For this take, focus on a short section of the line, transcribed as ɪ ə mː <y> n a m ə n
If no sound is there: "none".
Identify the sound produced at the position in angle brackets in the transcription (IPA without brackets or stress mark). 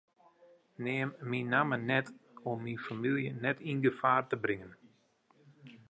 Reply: i